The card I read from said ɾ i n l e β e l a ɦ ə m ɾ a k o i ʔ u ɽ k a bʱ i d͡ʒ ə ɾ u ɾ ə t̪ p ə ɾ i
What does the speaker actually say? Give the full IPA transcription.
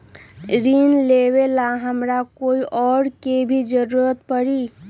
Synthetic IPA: ɾ i n l e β e l a ɦ ə m ɾ a k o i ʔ ɔ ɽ k e bʱ i d͡ʒ ə ɾ u ɾ ə t̪ p ə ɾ i